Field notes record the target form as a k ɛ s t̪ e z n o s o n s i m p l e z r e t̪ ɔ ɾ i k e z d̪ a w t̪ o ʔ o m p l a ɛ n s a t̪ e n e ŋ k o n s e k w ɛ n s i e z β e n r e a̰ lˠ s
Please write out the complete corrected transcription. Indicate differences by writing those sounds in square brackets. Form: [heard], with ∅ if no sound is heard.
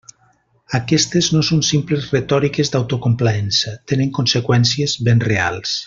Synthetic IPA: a k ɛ s t̪ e z n o s o n s i m p l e z r e t̪ ɔ ɾ i k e z d̪ a w t̪ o [k] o m p l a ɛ n s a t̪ e n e ŋ k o n s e k w ɛ n s i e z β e n r e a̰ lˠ s